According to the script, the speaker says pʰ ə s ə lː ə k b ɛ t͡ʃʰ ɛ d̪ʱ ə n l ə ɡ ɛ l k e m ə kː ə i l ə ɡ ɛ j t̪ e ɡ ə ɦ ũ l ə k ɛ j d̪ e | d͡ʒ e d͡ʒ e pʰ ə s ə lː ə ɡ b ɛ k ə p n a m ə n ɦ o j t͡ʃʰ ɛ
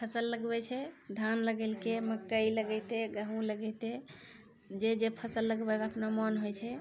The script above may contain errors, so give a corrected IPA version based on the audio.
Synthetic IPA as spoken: pʰ ə s ə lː ə ɡ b ɛ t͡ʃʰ ɛ d̪ʱ a n l ə ɡ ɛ l k e m ə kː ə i l ə ɡ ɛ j t̪ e ɡ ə ɦ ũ l ə ɡ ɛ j t̪ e | d͡ʒ e d͡ʒ e pʰ ə s ə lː ə ɡ b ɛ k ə p n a m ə n ɦ o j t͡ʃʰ ɛ